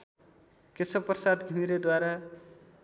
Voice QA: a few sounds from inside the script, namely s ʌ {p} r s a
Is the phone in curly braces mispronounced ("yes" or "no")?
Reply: no